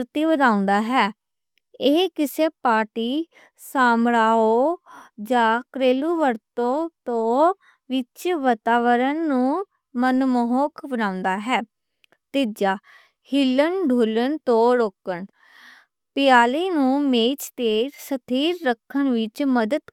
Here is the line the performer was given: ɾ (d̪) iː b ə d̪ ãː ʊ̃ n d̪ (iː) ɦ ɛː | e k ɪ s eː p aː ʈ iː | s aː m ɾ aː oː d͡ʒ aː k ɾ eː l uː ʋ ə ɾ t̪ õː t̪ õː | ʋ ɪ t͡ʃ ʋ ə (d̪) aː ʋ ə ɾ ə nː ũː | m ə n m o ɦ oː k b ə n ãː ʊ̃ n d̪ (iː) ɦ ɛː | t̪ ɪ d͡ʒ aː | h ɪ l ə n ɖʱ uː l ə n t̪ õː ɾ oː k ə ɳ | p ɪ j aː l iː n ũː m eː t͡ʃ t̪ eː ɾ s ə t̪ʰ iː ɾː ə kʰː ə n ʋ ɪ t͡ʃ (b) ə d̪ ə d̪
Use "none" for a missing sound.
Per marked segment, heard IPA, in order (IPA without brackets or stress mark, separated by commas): t̪, aː, t̪, aː, m